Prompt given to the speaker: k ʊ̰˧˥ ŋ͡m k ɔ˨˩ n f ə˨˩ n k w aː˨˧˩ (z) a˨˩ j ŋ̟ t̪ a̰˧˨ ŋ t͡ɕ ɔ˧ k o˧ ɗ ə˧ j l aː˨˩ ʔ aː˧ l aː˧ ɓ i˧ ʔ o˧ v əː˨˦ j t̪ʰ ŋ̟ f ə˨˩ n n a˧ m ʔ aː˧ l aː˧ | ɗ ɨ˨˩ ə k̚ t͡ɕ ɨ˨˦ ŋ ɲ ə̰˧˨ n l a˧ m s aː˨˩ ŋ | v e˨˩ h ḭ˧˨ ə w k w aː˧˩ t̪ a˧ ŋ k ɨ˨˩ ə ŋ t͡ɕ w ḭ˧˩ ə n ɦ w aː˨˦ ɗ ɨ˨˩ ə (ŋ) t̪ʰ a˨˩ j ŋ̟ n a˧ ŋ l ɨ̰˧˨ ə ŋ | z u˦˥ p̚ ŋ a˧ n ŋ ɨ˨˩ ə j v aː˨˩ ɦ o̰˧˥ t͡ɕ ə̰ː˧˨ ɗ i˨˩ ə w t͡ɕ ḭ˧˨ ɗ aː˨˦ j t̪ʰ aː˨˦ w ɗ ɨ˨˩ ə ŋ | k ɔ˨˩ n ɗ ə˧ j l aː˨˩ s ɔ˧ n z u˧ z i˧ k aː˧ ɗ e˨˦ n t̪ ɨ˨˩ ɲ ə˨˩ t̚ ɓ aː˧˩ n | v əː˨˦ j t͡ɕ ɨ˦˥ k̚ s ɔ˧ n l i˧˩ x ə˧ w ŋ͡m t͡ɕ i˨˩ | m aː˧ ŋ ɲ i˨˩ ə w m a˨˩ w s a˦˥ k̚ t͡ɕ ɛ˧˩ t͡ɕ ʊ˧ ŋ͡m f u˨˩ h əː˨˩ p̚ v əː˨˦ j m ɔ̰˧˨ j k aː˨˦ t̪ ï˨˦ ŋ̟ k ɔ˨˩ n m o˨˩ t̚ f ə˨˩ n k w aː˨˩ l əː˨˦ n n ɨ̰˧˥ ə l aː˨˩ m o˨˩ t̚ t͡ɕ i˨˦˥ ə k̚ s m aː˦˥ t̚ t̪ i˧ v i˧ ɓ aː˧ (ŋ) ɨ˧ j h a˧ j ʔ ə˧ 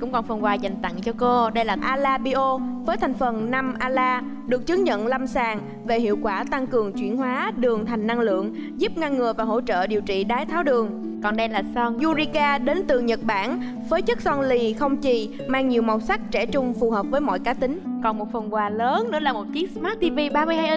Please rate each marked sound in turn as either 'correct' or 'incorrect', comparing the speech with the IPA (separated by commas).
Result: correct, correct, incorrect